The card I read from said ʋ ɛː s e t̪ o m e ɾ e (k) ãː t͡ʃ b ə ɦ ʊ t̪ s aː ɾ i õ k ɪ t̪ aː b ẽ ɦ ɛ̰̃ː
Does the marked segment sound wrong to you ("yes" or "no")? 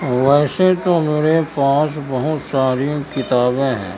yes